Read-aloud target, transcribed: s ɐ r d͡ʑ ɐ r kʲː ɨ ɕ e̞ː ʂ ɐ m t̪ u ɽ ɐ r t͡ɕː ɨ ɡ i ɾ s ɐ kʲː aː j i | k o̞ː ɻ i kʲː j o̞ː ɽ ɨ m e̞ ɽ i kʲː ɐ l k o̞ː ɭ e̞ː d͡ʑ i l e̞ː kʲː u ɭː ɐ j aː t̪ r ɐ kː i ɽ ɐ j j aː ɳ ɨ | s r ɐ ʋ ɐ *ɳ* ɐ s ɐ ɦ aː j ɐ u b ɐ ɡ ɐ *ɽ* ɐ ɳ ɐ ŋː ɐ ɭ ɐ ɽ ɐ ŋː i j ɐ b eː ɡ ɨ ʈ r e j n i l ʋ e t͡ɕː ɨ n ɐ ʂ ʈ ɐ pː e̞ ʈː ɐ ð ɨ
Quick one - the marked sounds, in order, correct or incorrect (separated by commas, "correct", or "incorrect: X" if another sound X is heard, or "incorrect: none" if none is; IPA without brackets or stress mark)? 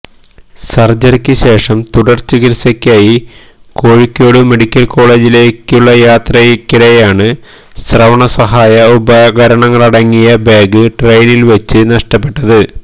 correct, incorrect: ɾ